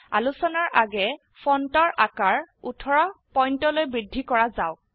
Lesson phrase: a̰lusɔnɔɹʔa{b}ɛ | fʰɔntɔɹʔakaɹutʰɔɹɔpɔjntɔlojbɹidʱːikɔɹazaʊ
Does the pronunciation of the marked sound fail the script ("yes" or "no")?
yes